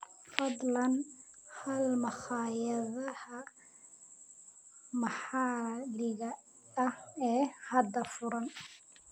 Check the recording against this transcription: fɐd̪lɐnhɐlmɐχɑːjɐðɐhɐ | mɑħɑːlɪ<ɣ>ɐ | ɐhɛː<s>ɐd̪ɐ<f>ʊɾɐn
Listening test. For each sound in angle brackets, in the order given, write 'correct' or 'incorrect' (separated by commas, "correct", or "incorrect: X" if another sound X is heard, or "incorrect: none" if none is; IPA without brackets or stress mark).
correct, incorrect: h, correct